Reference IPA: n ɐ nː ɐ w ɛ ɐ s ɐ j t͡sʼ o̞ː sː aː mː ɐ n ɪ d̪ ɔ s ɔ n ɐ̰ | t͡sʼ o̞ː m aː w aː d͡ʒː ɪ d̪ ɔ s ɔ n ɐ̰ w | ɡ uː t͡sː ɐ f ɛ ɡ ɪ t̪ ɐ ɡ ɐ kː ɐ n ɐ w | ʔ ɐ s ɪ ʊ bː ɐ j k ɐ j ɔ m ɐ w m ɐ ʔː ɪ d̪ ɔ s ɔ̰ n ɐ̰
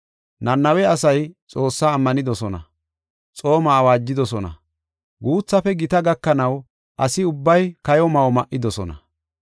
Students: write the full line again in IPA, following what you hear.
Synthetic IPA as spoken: n ɐ nː ɐ w ɛ ɐ s ɐ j t͡sʼ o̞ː sː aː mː ɐ n ɪ d̪ ɔ s ɔ n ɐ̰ | t͡sʼ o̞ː m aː w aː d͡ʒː ɪ d̪ ɔ s ɔ n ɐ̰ | ɡ uː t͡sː ɐ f ɛ ɡ ɪ t̪ ɐ ɡ ɐ kː ɐ n ɐ w | ʔ ɐ s ɪ ʊ bː ɐ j k ɐ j ɔ m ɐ w m ɐ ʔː ɪ d̪ ɔ s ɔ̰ n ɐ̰